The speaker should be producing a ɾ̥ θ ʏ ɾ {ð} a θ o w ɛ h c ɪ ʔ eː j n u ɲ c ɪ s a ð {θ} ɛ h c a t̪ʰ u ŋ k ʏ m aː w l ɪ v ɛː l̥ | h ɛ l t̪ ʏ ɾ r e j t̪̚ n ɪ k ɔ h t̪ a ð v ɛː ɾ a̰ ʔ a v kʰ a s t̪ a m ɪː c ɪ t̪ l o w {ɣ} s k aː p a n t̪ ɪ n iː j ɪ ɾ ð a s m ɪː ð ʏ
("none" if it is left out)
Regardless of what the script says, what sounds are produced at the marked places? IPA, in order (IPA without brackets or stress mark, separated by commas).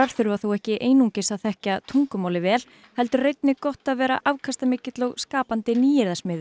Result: v, θ, ɣ